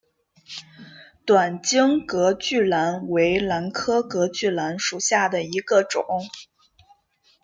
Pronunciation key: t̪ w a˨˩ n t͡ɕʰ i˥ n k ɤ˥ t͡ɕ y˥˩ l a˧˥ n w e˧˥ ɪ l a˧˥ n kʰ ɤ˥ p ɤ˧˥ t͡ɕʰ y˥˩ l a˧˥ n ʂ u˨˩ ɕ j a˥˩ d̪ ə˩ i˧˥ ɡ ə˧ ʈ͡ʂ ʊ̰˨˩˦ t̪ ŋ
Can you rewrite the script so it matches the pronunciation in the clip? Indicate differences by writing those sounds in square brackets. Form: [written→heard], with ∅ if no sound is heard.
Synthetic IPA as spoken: t̪ w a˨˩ n [t͡ɕʰ→t͡ɕ] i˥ [n→ŋ] k [ɤ˥→ɤ˧˥] t͡ɕ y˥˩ l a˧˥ n w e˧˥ ɪ l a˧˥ n kʰ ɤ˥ [p→k] ɤ˧˥ [t͡ɕʰ→t͡ɕ] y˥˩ l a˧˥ n ʂ u˨˩ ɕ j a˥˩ d̪ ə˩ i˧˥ ɡ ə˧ ʈ͡ʂ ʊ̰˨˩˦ [t̪→∅] ŋ